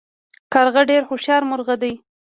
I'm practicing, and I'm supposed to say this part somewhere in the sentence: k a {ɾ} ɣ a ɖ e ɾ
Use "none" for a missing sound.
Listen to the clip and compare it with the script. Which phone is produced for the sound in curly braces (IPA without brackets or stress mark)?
ɾ